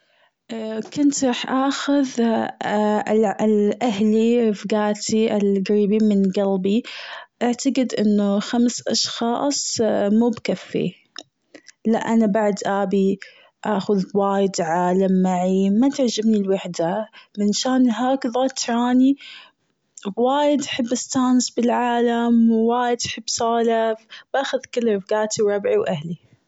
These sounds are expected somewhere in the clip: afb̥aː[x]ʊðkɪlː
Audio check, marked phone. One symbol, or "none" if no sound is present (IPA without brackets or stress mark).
x